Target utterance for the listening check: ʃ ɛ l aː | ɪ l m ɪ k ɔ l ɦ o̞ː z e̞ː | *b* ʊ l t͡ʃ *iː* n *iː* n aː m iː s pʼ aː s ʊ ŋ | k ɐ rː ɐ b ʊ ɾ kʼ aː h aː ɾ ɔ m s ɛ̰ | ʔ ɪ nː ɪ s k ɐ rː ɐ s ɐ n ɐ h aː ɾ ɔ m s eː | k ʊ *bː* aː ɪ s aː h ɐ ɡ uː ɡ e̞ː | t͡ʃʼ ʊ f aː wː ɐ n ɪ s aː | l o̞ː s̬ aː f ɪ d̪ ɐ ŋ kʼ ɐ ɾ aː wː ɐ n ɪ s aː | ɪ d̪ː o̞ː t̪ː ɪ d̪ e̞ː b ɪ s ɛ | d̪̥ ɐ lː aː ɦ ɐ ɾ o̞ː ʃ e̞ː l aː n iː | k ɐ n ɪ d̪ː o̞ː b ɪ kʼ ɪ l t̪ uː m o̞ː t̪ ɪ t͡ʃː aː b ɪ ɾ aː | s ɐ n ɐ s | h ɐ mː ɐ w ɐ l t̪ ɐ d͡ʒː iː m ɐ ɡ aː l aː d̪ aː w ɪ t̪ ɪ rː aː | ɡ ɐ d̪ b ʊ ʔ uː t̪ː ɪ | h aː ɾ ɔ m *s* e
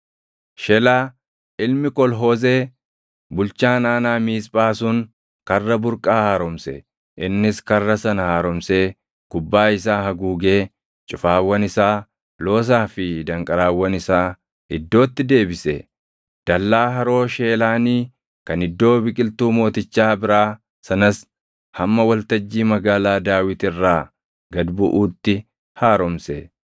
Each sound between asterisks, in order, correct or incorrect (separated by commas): correct, incorrect, incorrect, correct, correct